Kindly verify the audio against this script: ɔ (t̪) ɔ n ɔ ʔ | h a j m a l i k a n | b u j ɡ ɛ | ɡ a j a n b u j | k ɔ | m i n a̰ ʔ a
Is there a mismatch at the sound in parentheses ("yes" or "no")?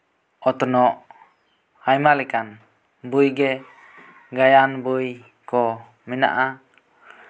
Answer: no